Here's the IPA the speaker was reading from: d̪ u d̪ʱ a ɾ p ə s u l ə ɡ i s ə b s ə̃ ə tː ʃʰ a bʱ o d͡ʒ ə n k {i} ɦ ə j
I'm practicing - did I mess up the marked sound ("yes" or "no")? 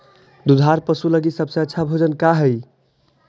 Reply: yes